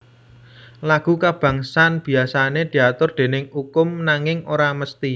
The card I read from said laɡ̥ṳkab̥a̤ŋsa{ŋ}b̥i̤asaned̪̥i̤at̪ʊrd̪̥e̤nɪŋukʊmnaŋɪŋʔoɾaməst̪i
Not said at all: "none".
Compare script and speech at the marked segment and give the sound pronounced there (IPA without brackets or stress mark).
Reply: n